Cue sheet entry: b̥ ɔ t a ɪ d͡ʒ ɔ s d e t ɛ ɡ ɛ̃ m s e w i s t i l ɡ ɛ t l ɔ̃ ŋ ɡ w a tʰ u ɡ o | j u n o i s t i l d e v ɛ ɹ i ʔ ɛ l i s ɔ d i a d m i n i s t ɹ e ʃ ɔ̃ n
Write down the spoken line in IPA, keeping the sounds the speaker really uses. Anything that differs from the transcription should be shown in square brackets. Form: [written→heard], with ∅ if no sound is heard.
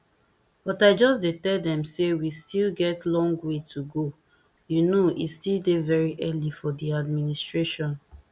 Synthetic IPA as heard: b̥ ɔ t a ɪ d͡ʒ ɔ s d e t ɛ [ɡ→d] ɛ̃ m s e w i s t i l ɡ ɛ t l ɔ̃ ŋ ɡ w [a→e] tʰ u ɡ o | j u n o i s t i l d e v ɛ ɹ i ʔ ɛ l i [s→f] ɔ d i a d m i n i s t ɹ e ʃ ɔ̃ n